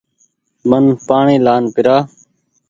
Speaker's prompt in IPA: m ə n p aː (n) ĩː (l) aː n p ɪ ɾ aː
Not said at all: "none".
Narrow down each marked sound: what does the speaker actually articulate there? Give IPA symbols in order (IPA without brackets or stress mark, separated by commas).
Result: ɳ, l